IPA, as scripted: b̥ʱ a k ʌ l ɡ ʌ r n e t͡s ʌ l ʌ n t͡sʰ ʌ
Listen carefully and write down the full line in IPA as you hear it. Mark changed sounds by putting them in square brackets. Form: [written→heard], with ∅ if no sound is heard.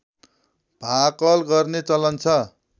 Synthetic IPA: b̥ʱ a k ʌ l ɡ ʌ r n e t͡s ʌ l ʌ n t͡sʰ ʌ

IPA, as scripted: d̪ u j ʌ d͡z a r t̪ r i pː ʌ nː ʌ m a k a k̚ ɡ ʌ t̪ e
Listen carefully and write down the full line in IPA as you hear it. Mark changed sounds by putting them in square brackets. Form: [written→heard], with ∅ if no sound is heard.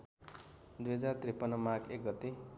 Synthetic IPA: d̪ u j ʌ d͡z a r t̪ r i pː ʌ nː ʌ m a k [a→e] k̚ ɡ ʌ t̪ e

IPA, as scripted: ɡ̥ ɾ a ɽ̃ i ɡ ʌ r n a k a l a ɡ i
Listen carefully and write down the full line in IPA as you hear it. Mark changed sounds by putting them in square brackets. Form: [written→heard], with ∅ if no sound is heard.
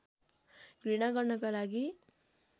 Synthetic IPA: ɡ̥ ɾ [a→i] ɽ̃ [i→a] ɡ ʌ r n [a→ʌ] k a l a ɡ i

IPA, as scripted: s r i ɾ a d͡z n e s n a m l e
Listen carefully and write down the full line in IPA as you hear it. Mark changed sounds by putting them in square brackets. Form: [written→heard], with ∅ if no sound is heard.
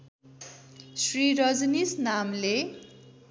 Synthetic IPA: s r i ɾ [a→ʌ] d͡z n [e→i] s n a m l e

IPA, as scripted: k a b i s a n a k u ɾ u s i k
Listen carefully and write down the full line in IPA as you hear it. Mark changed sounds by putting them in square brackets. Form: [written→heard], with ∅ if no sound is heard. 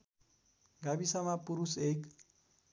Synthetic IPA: [k→ɡ] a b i s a [n→m] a [k→p] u ɾ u s [i→e] k

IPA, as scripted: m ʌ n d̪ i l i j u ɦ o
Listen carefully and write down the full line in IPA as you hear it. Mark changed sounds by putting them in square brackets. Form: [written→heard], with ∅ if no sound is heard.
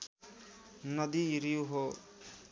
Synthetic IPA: [m→n] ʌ [n→∅] d̪ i [l→ɾ] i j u ɦ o

